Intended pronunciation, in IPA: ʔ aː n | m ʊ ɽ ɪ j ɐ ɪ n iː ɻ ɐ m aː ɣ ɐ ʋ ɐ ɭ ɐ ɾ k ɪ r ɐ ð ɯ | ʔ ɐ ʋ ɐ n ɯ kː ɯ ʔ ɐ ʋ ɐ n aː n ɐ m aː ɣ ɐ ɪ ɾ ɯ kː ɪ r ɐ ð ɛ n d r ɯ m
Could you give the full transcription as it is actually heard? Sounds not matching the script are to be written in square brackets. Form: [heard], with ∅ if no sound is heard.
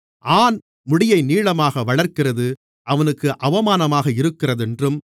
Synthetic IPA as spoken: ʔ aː n | m ʊ ɽ ɪ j ɐ ɪ n iː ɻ ɐ m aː ɣ ɐ ʋ ɐ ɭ ɐ ɾ k ɪ r ɐ ð ɯ | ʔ ɐ ʋ ɐ n ɯ kː ɯ ʔ ɐ ʋ ɐ [m] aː n ɐ m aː ɣ ɐ ɪ ɾ ɯ kː ɪ r ɐ ð ɛ n d r ɯ m